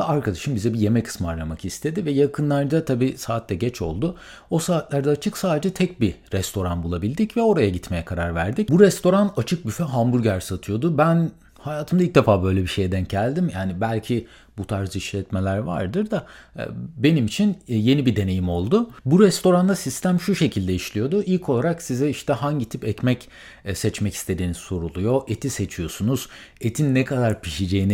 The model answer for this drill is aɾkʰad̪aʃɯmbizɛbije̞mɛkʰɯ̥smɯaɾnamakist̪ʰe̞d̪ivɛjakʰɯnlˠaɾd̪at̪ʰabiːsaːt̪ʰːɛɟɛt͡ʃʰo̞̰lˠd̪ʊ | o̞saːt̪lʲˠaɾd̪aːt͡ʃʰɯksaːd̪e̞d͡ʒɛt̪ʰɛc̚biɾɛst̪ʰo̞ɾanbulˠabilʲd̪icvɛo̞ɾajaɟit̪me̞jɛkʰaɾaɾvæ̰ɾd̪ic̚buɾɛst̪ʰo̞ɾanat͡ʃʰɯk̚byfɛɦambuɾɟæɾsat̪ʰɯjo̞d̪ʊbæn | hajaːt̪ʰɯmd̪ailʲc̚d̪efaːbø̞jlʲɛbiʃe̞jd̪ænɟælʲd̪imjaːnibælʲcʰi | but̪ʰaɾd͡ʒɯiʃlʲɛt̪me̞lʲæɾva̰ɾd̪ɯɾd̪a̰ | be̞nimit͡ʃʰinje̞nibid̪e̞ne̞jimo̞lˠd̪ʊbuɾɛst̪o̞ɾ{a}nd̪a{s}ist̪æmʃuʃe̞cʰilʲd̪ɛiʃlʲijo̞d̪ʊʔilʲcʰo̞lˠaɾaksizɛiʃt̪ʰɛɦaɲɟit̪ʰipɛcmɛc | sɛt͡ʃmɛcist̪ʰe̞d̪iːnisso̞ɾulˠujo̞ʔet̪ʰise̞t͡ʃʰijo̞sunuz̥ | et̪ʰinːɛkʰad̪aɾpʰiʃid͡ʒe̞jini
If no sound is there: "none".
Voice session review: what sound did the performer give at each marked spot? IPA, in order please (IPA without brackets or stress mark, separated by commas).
a, s